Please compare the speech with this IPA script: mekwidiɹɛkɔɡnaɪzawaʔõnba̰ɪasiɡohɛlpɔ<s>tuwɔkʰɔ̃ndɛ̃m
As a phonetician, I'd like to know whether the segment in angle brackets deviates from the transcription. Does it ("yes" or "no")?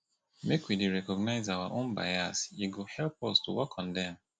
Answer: no